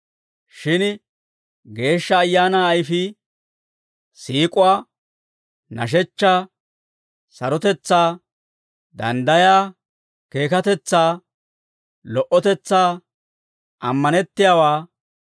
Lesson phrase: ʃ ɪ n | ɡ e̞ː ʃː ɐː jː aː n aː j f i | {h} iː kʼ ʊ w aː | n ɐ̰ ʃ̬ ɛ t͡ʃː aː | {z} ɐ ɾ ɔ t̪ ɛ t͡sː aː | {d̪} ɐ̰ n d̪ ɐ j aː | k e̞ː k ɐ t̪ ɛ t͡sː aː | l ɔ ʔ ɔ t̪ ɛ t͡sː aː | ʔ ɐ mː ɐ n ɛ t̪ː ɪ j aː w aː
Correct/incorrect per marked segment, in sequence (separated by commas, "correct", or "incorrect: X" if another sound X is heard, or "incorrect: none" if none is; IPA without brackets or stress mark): incorrect: s, incorrect: s, correct